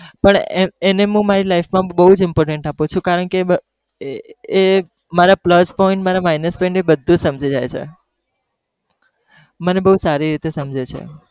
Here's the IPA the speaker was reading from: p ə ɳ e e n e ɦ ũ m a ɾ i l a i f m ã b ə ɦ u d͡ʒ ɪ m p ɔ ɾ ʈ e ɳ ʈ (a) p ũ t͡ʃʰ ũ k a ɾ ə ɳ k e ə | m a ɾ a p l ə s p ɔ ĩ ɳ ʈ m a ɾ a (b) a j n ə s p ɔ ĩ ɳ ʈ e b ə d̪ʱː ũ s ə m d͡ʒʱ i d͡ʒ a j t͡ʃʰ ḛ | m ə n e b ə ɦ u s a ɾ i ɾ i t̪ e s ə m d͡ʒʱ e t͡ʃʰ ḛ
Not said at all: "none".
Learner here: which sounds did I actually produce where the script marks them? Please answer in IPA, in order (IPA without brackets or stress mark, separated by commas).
a, m